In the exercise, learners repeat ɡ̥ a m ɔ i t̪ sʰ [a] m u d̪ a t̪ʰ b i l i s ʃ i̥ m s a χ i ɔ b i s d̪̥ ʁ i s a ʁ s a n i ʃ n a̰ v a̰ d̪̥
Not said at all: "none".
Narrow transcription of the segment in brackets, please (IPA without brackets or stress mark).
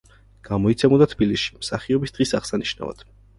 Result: ɛ